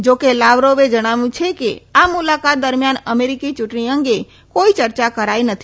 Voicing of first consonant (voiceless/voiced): voiced